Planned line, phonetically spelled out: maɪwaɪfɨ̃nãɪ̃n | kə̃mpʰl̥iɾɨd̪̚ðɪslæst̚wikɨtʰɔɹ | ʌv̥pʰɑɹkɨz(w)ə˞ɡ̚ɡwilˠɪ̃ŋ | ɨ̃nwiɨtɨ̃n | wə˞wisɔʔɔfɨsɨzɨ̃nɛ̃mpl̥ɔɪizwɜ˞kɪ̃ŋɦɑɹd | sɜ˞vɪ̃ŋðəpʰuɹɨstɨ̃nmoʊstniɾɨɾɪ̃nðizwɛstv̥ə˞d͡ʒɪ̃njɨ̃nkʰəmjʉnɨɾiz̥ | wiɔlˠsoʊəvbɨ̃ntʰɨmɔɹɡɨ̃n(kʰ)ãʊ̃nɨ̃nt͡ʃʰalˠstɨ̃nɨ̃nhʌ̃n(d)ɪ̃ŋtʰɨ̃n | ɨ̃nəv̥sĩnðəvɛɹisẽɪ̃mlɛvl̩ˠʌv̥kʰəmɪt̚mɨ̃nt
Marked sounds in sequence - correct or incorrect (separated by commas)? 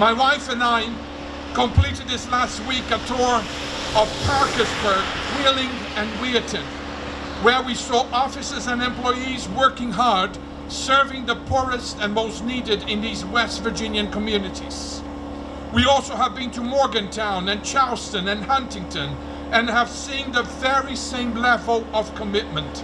incorrect, incorrect, incorrect